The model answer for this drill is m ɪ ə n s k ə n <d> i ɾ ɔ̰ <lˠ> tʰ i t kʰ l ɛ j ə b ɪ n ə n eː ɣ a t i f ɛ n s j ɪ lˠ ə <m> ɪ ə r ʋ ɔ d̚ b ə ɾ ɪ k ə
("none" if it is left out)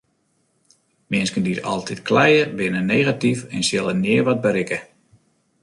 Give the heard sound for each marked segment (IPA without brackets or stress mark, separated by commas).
d, lˠ, n